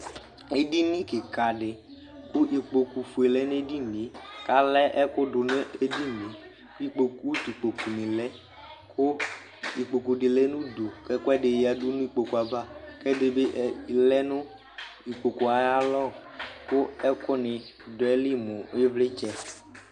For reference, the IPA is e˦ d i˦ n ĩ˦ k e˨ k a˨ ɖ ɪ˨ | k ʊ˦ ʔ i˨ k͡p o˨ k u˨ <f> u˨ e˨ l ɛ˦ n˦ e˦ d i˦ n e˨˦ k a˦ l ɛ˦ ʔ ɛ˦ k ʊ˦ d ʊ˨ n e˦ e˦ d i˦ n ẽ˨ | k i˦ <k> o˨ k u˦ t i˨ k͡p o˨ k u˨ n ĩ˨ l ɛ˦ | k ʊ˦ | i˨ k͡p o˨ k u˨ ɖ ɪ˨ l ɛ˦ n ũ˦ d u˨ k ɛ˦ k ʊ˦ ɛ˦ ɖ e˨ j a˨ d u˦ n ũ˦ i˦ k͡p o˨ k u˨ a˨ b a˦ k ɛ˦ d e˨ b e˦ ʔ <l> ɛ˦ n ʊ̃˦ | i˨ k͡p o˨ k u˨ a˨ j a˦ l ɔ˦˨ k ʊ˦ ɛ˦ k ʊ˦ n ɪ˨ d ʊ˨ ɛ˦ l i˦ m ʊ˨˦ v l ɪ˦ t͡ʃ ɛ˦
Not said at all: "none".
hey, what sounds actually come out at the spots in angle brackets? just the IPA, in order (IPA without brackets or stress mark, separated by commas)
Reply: f, k͡p, l